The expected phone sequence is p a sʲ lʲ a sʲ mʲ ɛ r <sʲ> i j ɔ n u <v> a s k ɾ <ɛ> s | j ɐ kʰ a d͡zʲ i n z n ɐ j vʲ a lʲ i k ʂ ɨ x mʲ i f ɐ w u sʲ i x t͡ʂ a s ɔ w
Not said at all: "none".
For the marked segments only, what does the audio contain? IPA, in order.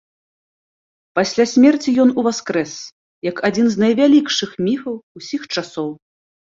t͡sʲ, v, ɛ

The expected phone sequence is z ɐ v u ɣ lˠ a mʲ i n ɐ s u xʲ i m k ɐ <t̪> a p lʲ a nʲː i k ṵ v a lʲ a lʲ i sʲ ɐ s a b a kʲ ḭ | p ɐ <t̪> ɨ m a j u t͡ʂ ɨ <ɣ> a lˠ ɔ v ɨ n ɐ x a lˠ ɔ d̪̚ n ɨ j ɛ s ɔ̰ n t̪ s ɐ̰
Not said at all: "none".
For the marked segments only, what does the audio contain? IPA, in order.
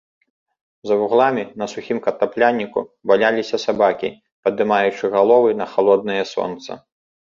t̪, d̪, ɣ

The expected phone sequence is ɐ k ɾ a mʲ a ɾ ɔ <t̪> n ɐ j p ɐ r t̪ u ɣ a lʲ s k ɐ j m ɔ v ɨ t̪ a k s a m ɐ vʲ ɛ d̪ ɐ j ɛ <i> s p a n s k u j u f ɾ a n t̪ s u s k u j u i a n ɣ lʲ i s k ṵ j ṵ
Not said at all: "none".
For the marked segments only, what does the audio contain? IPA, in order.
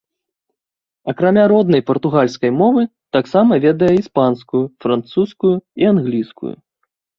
d̪, i

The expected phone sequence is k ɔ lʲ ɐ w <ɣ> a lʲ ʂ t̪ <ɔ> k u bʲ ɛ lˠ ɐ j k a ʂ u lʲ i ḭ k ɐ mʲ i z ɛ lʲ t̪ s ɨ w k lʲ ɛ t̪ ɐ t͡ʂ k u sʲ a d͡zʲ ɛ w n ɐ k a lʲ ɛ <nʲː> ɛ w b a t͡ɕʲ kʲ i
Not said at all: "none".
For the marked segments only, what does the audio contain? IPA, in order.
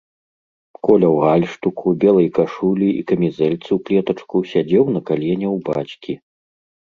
ɣ, u, nʲ

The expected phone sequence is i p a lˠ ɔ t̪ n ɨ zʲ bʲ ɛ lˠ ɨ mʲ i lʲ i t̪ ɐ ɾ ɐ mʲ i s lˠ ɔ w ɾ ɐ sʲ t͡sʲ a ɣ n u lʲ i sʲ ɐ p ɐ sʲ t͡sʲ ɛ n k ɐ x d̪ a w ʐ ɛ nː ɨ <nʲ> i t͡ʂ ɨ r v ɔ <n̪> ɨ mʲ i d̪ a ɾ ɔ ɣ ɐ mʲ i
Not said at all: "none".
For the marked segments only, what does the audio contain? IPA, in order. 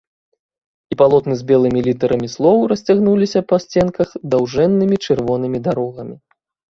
mʲ, n̪

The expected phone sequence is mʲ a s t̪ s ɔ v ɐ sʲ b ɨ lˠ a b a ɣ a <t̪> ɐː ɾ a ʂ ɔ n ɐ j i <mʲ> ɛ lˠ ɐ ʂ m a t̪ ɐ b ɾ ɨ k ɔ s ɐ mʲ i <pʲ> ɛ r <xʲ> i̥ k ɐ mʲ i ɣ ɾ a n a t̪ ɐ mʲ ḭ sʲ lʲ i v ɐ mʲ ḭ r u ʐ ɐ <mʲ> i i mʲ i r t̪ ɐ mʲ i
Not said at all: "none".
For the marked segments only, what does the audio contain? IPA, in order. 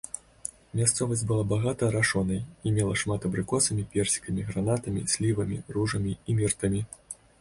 t̪, mʲ, pʲ, sʲ, mʲ

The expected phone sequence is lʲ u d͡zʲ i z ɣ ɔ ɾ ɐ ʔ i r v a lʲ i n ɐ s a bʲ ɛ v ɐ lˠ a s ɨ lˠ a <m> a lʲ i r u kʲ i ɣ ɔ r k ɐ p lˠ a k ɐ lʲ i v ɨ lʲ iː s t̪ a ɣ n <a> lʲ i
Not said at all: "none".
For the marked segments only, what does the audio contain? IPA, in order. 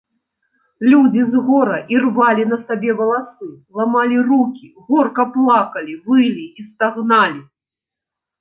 m, a

